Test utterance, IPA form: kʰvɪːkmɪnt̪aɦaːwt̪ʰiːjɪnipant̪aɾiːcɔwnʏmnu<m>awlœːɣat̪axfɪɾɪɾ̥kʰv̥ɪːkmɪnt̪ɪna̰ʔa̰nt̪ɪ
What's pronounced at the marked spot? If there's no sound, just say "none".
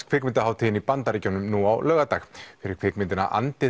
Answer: none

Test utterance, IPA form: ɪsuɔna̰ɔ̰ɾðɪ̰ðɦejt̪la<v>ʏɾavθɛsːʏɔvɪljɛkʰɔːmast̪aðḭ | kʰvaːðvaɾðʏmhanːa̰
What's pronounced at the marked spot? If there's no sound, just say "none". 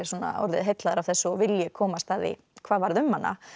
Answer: ð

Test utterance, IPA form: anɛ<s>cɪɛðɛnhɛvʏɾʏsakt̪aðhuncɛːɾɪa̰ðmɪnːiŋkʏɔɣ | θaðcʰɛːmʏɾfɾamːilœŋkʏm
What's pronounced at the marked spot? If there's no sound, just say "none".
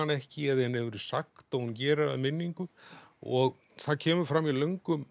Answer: h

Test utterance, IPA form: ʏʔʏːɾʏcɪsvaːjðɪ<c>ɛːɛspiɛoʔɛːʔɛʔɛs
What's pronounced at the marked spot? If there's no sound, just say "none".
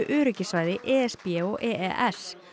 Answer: ʔ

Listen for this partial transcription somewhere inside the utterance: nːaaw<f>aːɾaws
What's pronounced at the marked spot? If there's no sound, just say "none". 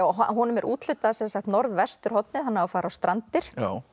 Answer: f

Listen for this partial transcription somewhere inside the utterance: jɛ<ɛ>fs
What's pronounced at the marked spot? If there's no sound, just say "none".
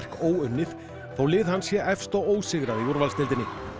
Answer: ɛ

